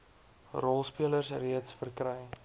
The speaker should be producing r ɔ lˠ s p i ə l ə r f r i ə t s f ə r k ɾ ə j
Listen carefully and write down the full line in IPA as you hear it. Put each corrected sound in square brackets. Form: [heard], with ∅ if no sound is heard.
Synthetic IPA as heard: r ɔ lˠ s p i ə l ə r [s] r i ə t s f ə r k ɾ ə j